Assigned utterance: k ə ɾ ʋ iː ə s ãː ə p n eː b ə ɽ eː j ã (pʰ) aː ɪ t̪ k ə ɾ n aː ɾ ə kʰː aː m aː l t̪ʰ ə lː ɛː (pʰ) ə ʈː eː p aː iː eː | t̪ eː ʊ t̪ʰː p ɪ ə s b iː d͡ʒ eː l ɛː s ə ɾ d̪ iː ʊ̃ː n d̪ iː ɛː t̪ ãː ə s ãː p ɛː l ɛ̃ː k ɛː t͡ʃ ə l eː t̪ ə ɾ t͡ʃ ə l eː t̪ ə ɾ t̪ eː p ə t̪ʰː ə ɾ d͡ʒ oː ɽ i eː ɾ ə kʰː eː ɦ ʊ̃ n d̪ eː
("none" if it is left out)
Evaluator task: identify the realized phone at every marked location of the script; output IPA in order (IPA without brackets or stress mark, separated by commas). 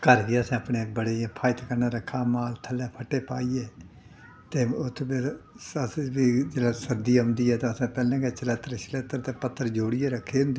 pʰ, pʰ